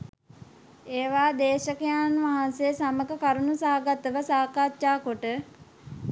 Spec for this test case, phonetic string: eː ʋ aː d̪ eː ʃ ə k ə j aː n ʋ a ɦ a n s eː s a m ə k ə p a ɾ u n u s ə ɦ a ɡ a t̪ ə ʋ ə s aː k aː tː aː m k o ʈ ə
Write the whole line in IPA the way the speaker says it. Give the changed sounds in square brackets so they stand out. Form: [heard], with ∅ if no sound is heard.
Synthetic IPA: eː ʋ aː d̪ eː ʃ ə k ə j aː n ʋ a ɦ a n s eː s a m ə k ə [k] a ɾ u n u s [a] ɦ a ɡ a t̪ ə ʋ ə s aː k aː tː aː [∅] k o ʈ ə

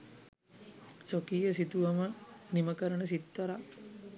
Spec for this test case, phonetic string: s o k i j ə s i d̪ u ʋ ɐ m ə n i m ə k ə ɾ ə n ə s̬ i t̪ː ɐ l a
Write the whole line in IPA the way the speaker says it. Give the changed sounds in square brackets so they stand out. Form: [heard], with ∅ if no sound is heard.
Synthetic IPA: s o k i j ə s i [t̪] u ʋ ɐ m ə n i m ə k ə ɾ ə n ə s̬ i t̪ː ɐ [ɾ] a

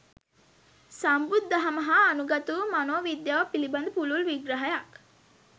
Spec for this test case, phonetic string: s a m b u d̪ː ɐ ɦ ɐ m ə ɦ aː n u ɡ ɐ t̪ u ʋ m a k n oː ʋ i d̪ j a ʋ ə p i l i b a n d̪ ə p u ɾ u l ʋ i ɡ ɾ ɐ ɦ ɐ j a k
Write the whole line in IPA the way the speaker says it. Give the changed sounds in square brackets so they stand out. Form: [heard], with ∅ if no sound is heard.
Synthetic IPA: s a m b u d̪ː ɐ ɦ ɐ m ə ɦ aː n u ɡ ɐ t̪ u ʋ m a [∅] n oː ʋ i d̪ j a ʋ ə p i l i b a n d̪ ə p u [l] u l ʋ i ɡ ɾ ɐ ɦ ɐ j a k

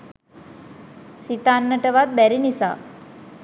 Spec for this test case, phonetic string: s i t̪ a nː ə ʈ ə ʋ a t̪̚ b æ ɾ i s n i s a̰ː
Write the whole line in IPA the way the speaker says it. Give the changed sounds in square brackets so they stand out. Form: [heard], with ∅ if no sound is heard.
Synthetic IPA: s i t̪ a nː ə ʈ ə ʋ a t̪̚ b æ ɾ i [∅] n i s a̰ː

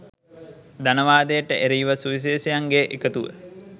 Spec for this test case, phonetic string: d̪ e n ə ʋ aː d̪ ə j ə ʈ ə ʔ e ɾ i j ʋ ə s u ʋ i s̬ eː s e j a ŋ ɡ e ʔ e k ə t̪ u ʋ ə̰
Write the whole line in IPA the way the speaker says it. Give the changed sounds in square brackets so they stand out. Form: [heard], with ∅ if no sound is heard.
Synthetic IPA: d̪ [a] n ə ʋ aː d̪ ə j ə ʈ ə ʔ e ɾ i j ʋ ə s u ʋ i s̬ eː s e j a ŋ ɡ e ʔ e k ə t̪ u ʋ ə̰

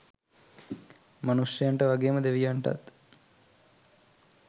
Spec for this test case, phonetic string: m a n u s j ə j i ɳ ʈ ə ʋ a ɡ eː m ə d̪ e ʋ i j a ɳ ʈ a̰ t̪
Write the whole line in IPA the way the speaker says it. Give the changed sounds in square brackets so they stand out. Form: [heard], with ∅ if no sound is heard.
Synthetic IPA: m a n u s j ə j [a] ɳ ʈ ə ʋ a ɡ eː m ə d̪ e ʋ i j a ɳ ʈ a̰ t̪

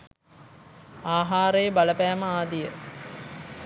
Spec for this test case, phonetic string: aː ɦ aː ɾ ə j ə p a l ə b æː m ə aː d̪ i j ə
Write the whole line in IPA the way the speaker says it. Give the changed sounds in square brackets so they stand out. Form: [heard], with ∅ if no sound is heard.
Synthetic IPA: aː ɦ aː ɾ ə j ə [b] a l ə [p] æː m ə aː d̪ i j ə

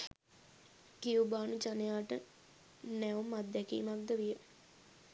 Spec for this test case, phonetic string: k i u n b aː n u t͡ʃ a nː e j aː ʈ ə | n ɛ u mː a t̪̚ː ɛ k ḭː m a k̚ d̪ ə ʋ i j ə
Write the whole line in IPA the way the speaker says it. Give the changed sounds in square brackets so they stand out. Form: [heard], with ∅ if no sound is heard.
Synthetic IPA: k i u [∅] b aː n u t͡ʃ a [n] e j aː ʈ ə | n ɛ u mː a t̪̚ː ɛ k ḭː m a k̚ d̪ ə ʋ i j ə

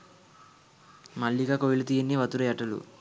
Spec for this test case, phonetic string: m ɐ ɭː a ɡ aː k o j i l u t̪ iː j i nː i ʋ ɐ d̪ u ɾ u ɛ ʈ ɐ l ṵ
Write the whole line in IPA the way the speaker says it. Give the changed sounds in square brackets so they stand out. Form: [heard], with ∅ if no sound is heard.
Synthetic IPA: m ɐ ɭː [i] ɡ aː k o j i l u t̪ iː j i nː i ʋ ɐ [t̪] u ɾ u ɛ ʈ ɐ l ṵ

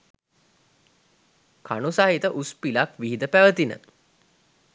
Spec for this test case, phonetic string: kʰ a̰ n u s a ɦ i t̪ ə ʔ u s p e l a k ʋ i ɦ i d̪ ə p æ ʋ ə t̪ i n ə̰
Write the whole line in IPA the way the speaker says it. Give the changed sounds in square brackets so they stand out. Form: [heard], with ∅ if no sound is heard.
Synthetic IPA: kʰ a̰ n u s a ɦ i t̪ ə ʔ u s p [i] l a k ʋ i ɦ i d̪ ə p æ ʋ ə t̪ i n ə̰

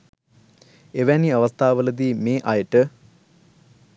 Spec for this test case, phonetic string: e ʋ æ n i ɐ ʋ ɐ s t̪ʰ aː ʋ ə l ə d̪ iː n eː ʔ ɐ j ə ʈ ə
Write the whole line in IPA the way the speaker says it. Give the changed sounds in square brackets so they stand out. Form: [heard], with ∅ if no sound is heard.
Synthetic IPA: e ʋ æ n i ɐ ʋ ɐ s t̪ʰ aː ʋ ə l ə d̪ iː [m] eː ʔ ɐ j ə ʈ ə

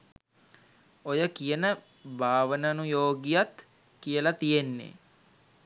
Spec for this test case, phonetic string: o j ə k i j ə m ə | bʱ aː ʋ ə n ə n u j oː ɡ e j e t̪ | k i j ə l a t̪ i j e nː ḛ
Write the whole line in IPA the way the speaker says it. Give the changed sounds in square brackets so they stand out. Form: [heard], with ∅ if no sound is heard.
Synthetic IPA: o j ə k i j ə [n] ə | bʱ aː ʋ ə n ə n u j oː ɡ [i] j [a] t̪ | k i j ə l a t̪ i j e nː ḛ

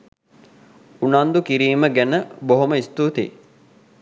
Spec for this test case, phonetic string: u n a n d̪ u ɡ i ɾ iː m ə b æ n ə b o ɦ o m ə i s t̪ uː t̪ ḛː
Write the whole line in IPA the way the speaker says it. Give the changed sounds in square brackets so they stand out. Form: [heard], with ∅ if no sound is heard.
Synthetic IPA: u n a n d̪ u [k] i ɾ iː m ə [ɡ] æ n ə b o ɦ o m ə i s t̪ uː t̪ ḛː

